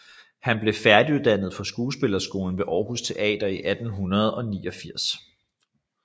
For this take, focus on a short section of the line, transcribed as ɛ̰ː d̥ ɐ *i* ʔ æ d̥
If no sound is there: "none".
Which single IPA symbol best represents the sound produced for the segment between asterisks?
i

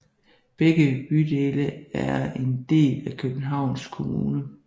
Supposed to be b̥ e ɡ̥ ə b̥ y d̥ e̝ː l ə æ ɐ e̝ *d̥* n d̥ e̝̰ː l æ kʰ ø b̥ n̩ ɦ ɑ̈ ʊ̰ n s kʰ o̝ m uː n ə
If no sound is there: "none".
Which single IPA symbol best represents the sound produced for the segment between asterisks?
none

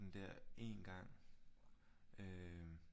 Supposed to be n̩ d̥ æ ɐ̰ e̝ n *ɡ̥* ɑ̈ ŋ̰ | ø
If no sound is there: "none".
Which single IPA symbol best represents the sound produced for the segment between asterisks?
ɡ̥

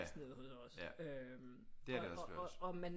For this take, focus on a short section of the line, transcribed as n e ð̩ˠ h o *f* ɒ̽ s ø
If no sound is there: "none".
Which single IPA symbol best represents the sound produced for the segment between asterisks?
s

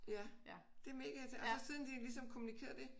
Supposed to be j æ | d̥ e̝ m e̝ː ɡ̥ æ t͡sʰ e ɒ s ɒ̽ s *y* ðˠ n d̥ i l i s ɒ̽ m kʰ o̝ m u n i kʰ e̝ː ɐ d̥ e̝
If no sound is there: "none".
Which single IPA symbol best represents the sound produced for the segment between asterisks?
i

